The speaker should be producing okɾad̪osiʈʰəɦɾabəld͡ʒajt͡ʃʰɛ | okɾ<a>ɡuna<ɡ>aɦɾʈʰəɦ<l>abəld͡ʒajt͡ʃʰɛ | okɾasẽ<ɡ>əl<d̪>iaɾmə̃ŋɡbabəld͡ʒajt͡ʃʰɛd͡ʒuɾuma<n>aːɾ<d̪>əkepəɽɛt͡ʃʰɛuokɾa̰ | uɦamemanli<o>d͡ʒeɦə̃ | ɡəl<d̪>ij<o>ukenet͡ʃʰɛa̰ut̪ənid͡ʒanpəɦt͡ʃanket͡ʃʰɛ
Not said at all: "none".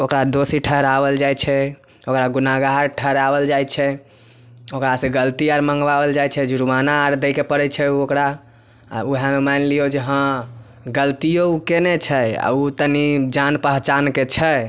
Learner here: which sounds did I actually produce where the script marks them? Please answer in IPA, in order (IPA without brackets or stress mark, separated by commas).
a, ɡ, ɾ, ɡ, t̪, n, d̪, o, t̪, o